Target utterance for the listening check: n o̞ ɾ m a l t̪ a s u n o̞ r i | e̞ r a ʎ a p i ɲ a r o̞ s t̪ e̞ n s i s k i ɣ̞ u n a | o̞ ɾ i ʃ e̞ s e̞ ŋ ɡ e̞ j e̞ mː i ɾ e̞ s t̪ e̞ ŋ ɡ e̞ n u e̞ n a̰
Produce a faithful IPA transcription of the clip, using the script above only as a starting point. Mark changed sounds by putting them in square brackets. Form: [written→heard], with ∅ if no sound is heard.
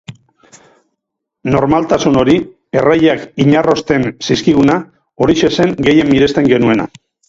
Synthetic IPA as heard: n o̞ ɾ m a l t̪ a s u n o̞ [r→ɾ] i | e̞ r a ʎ a [p→k] i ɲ a r o̞ s t̪ e̞ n s i s k i ɣ̞ u n a | o̞ ɾ i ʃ e̞ s e̞ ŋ ɡ e̞ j e̞ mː i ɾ e̞ s t̪ e̞ ŋ ɡ e̞ n u e̞ n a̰